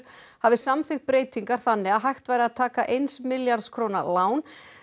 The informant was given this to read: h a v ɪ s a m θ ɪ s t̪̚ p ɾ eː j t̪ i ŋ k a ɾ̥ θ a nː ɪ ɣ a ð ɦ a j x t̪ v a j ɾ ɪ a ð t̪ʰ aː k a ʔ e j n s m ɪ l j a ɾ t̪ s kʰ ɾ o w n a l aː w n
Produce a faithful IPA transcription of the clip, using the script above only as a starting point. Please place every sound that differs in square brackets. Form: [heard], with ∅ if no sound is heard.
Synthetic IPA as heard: h a v ɪ s a m θ ɪ [x] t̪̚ p ɾ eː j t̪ i ŋ k a ɾ̥ θ a nː ɪ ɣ a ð ɦ a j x t̪ v a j ɾ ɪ a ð t̪ʰ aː k a ʔ e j n s m ɪ l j a ɾ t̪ s kʰ ɾ o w n a l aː w n